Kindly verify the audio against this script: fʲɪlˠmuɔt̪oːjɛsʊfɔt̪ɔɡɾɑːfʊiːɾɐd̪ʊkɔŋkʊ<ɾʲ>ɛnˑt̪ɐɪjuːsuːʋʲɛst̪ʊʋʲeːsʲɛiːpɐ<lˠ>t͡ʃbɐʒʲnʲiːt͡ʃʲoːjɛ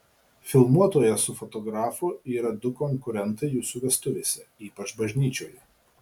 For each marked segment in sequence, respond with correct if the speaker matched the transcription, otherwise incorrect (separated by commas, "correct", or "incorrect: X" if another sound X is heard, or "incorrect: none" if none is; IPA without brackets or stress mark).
correct, incorrect: none